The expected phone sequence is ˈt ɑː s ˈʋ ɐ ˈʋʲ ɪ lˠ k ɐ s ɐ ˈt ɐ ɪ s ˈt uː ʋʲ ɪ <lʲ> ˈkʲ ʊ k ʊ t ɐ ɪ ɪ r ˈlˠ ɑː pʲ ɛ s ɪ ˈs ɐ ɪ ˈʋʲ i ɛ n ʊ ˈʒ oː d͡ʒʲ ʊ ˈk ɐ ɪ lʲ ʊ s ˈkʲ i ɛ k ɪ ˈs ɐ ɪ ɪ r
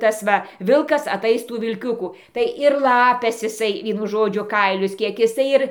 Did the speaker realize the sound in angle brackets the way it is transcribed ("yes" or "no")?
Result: yes